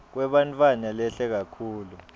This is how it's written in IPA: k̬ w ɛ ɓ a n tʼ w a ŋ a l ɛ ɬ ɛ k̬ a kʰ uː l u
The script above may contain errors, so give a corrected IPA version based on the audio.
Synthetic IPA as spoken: k̬ w ɛ ɓ a n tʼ w a n a l ɛ ɬ ɛ k̬ a kʰ uː l u

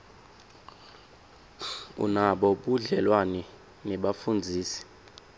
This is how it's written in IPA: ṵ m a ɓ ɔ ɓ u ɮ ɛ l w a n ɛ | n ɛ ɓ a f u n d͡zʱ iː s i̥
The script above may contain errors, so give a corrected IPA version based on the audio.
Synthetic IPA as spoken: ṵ n a ɓ ɔ ɓ u ɮ ɛ l w a n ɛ | n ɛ ɓ a f u n d͡zʱ iː s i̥

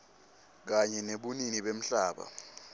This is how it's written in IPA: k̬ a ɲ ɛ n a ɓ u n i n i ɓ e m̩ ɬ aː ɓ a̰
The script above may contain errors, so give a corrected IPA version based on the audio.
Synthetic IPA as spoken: k̬ a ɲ ɛ n e ɓ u n i n i ɓ e m̩ ɬ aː ɓ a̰

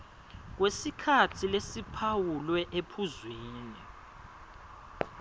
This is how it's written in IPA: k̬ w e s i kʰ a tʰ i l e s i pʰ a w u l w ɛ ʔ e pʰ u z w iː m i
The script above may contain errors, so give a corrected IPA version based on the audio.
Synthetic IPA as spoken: k̬ w e s i kʰ a tʰ i l e s i pʰ a w u l w ɛ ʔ e pʰ u z w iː n i

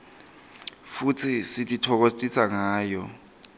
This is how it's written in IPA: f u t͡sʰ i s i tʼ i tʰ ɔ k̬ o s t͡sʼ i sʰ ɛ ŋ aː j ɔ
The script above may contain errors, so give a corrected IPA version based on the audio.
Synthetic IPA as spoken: f u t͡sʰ i s i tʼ i tʰ ɔ k̬ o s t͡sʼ i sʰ a ŋ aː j ɔ

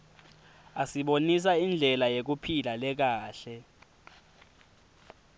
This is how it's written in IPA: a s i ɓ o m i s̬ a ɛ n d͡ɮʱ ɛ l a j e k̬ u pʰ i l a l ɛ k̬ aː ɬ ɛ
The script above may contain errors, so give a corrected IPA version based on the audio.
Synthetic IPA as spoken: a s i ɓ o n i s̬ a i n d͡ɮʱ ɛ l a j e k̬ u pʰ i l a l ɛ k̬ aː ɬ ɛ

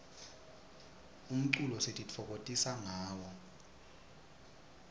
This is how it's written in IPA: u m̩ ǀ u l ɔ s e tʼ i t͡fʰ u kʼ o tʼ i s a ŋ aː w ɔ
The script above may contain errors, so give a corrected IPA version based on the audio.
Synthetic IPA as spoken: u m̩ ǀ u l ɔ s e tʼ i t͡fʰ ɔ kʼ o tʼ i s a ŋ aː w ɔ

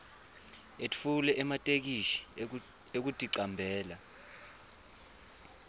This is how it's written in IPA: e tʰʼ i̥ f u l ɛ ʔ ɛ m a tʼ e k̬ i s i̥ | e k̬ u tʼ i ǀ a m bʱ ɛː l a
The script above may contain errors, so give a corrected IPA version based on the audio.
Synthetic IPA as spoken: e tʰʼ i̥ f u l ɛ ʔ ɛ m a tʼ e k̬ i ʃ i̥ | e k̬ u tʼ i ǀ a m bʱ ɛː l a

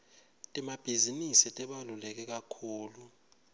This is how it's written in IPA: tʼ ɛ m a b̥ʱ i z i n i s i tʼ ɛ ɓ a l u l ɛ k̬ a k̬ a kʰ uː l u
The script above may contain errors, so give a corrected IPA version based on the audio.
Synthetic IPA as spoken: tʼ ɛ m a b̥ʱ i z i n i s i tʼ ɛ ɓ a l u l ɛ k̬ ɛ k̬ a kʰ uː l u

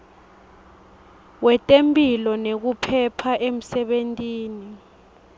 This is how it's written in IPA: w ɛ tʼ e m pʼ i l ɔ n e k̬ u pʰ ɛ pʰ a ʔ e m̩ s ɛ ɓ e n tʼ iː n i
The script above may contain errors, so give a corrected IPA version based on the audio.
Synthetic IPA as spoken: w ɛ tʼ e m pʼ i l ɔ n e k̬ u pʰ ɛ pʰ a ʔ e m̩ s ɛ ɓ e n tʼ iː n i

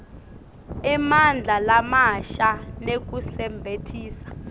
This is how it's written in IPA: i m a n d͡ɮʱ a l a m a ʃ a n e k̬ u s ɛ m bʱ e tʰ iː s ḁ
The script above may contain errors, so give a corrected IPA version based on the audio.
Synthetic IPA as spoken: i m a n d͡ɮʱ a l a m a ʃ a n e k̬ u s ɛ m bʱ e tʰ iː s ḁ

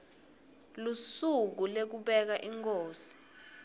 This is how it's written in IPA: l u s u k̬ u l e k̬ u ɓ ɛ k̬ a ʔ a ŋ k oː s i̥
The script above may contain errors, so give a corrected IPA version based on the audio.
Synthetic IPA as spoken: l u s u k̬ u l e k̬ u ɓ ɛ k̬ a ʔ i ŋ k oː s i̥

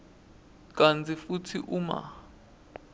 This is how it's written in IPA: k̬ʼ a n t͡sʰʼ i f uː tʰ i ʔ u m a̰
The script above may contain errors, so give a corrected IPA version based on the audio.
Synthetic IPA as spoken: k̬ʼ a n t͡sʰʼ i f u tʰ i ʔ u m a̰

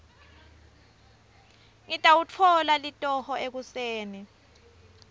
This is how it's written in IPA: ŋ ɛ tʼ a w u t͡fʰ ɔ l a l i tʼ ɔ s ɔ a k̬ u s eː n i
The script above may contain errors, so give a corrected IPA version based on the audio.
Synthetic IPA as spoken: ŋ i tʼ a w u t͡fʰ ɔ l a l i tʼ ɔ h ɔ e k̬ u s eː n i

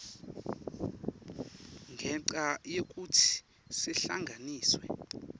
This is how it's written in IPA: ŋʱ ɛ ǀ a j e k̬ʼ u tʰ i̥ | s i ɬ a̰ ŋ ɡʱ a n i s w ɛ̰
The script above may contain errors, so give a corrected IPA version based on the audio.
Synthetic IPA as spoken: ŋʱ ɛ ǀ a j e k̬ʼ u tʰ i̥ | s i ɬ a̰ ŋ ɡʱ a n iː s w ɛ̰

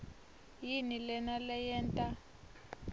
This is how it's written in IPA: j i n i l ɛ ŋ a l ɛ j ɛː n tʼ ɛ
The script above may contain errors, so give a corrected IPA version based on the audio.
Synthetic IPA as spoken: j i n i l ɛ n a l ɛ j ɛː n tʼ a

